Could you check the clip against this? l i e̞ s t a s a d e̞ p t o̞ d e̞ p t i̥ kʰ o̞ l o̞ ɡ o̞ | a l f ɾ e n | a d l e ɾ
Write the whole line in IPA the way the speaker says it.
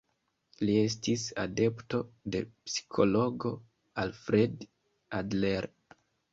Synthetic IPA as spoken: l i e̞ s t i s a d e̞ p t o̞ d e̞ p s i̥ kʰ o̞ l o̞ ɡ o̞ | a l f ɾ e d | a d l e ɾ